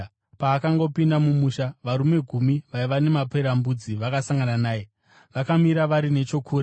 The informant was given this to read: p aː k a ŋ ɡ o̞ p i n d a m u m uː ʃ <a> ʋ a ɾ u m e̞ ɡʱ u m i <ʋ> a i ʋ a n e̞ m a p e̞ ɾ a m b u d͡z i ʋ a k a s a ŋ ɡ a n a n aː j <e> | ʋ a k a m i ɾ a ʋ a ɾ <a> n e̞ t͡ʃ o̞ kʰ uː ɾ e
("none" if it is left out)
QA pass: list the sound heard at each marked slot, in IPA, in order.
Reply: a, ʋ, e, i

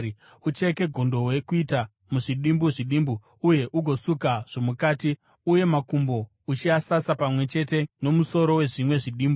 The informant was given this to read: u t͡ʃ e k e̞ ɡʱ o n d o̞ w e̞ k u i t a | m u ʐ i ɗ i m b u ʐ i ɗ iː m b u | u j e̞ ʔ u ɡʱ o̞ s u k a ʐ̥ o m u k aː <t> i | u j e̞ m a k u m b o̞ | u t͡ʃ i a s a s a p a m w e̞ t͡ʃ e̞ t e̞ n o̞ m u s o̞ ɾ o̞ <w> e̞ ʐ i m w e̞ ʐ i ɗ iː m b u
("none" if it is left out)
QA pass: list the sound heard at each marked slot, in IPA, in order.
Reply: t, w

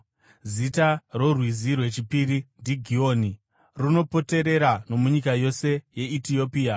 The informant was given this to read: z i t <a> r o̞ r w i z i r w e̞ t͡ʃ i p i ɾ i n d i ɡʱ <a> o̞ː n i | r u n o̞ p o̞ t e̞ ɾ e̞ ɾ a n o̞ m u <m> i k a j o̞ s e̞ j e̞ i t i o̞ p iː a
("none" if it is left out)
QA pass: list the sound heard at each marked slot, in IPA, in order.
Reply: a, i, ɲ

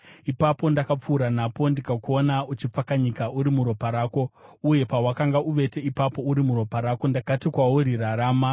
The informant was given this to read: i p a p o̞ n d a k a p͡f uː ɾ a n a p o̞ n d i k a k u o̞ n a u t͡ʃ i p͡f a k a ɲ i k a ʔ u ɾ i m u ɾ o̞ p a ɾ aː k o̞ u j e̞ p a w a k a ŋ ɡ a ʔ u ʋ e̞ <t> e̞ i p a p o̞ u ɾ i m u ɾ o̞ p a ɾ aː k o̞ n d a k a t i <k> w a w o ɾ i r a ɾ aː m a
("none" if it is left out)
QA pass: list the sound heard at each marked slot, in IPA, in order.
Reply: t, k

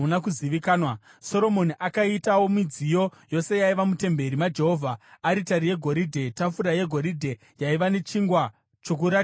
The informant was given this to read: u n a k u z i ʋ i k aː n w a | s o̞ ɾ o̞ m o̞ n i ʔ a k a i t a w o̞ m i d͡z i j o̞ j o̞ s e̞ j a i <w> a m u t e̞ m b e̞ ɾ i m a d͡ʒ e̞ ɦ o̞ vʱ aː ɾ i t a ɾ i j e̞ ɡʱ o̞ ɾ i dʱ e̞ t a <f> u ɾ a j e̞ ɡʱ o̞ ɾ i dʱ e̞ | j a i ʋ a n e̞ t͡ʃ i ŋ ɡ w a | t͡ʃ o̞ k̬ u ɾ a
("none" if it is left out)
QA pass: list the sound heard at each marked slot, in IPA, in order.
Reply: ʋ, f

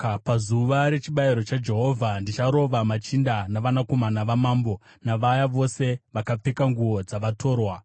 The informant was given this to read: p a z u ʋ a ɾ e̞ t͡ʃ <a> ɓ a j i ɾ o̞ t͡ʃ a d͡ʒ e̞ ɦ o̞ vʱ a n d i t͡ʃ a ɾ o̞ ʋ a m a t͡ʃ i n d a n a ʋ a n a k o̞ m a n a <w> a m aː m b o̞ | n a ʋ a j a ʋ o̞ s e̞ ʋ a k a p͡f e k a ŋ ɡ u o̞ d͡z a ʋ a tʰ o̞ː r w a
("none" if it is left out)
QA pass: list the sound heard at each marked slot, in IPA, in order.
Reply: i, ʋ

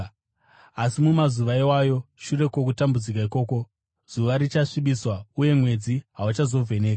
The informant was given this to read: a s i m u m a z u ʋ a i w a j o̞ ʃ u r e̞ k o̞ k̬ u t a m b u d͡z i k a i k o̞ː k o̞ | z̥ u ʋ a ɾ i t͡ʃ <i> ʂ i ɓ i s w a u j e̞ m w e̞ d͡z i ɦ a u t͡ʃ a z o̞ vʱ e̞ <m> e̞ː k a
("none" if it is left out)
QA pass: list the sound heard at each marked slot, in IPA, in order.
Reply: a, n

